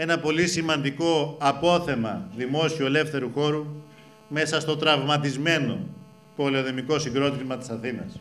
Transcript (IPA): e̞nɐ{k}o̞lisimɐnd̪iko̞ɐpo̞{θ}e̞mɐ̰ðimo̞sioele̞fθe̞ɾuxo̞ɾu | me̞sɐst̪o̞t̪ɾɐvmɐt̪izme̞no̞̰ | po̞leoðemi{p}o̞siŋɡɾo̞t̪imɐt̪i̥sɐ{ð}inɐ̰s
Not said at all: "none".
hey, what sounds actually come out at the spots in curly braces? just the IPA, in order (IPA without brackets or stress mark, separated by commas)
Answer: p, θ, k, θ